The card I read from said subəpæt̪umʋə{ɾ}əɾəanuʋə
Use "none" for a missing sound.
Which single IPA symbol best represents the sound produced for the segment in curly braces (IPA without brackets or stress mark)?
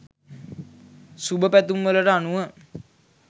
l